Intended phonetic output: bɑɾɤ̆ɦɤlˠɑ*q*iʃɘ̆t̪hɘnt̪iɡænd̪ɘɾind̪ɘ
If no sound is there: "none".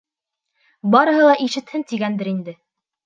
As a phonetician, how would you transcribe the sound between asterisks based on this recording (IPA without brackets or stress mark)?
ʔ